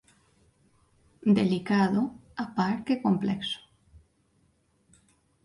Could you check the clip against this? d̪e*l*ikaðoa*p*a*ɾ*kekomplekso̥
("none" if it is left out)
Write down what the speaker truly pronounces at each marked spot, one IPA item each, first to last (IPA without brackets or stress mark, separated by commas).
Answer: l, p, ɾ